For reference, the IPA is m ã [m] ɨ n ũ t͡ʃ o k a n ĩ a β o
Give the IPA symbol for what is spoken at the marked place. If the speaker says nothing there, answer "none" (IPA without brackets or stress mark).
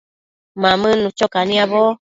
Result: m